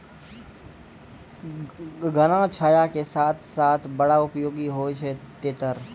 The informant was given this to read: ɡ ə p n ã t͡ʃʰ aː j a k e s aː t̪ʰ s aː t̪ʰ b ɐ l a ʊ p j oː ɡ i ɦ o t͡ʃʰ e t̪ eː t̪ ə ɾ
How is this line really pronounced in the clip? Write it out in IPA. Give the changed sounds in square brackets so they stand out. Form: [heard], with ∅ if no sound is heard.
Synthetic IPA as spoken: ɡ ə [∅] n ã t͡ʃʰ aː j a k e s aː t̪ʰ s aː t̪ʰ b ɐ [ɽ] a ʊ p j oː ɡ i ɦ o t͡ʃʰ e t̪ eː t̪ ə ɾ